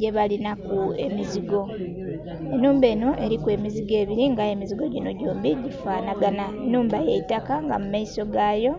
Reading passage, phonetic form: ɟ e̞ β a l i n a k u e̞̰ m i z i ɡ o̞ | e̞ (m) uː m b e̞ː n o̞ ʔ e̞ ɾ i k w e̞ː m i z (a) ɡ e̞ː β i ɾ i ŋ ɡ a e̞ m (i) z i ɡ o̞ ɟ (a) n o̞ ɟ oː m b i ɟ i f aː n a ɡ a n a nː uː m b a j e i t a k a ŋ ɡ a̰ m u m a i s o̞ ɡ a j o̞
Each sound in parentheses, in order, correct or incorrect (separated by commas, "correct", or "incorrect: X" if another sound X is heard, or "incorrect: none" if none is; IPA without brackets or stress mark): incorrect: n, incorrect: i, correct, incorrect: i